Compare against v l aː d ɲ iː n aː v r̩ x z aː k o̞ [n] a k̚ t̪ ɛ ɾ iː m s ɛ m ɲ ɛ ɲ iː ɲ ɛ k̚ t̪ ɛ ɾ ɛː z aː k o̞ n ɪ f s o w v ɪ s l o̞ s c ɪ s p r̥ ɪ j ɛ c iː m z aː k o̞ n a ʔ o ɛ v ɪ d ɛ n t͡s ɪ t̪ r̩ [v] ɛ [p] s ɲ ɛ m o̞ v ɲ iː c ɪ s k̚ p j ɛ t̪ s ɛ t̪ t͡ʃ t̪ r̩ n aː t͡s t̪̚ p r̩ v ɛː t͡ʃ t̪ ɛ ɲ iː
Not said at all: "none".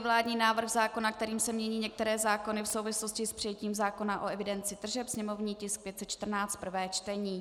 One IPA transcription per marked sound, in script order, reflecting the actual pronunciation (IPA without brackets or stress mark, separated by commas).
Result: n, ʒ, p